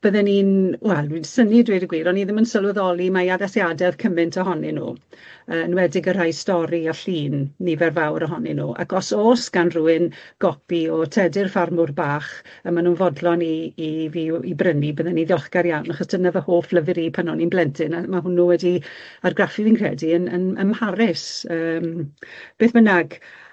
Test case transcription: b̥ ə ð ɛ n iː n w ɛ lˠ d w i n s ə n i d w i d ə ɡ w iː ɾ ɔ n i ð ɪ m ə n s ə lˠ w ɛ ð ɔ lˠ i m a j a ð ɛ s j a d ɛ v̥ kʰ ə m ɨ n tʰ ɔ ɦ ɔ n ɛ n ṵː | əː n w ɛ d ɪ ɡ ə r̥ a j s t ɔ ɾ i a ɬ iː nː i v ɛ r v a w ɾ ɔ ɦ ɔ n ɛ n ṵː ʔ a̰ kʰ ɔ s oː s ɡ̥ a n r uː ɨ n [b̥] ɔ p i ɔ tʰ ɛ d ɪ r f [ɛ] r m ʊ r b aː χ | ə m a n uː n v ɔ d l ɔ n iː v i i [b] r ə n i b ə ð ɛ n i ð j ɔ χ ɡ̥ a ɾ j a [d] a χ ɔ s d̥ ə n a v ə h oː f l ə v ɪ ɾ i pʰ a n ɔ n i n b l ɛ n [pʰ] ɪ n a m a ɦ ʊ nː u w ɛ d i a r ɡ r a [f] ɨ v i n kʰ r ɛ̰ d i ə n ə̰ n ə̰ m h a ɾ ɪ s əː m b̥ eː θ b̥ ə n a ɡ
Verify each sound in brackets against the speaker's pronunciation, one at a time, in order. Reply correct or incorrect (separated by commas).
incorrect, incorrect, correct, incorrect, incorrect, correct